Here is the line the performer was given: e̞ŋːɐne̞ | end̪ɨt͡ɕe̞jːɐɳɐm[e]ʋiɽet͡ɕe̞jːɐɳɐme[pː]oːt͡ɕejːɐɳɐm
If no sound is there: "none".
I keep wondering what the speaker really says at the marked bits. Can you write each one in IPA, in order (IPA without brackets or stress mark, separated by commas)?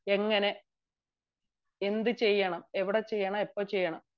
e, pː